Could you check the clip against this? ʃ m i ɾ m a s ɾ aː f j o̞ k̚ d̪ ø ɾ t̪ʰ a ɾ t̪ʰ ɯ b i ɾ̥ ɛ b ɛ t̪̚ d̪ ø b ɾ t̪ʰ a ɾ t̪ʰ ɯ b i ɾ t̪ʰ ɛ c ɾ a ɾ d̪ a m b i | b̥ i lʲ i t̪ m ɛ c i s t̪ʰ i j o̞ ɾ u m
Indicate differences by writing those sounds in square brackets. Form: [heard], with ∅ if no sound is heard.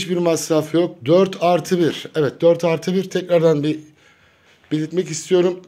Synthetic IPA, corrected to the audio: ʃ [b] i ɾ m a s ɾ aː f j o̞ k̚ d̪ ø ɾ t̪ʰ a ɾ t̪ʰ ɯ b i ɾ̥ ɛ [v] ɛ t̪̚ d̪ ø [∅] ɾ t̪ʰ a ɾ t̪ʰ ɯ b i ɾ t̪ʰ ɛ c ɾ a ɾ d̪ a [n] b i | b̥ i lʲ i t̪ m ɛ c i s t̪ʰ i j o̞ ɾ u m